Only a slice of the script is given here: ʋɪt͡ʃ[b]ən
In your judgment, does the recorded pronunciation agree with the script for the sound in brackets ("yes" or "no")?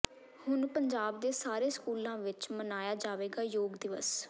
no